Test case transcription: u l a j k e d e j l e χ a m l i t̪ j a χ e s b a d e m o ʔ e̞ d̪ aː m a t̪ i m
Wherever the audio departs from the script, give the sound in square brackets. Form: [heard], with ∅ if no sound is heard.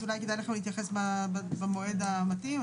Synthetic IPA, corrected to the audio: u l a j k e d [a] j l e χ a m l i t̪ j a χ e s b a [b] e m o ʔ e̞ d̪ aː m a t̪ i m

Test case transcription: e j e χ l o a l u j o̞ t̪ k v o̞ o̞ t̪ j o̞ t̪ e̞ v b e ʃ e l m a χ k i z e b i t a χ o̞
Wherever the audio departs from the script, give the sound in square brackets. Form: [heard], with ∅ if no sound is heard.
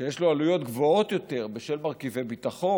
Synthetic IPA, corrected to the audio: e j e [ʃ] l o a l u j o̞ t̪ [ɡ] v o̞ o̞ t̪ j o̞ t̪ e̞ [ʁ] b e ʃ e l m a [ʁ] k i [v] e b i t a χ o̞

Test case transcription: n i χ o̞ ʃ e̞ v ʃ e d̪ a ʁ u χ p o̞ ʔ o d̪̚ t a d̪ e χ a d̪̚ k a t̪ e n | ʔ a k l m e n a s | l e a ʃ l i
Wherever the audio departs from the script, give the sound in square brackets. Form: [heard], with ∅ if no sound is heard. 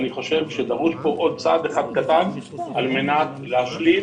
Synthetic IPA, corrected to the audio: n i χ o̞ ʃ e̞ v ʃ e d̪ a ʁ u [ʃ] p o̞ ʔ o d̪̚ [t͡s] a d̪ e χ a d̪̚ k a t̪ [a] n | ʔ a [∅] l m e n a [t] | l e a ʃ l i

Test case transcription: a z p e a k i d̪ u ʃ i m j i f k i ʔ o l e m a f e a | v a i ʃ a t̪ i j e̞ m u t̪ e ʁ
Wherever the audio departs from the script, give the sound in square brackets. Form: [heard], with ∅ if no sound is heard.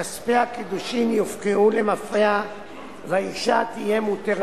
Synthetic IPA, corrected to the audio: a [s] p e a k i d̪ u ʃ i m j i f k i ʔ [u] l e m a f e a | v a i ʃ a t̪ i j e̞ m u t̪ e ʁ

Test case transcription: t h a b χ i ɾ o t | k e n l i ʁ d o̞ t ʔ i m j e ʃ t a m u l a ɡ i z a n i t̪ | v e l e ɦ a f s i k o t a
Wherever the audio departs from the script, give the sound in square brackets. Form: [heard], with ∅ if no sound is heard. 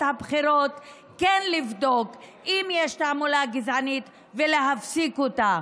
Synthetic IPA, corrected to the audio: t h a b χ i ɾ o t | k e n l i [v] d o̞ [k] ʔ i m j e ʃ t a m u l a ɡ i z a n i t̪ | v e l e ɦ a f s i k o t a

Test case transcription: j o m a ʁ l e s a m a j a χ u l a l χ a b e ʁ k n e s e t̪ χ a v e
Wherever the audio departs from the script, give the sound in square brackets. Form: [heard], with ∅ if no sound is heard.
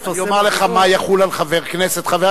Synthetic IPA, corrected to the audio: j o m a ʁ l e [χ] a m a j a χ u l a l χ a [v] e ʁ k n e s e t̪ χ a v e

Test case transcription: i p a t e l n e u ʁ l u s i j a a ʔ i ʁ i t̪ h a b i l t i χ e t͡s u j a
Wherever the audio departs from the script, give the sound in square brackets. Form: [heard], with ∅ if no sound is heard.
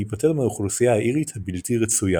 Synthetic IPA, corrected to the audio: i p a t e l [m] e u [χ] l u s i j a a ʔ i ʁ i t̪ h a b i l t i [ʁ] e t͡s u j a

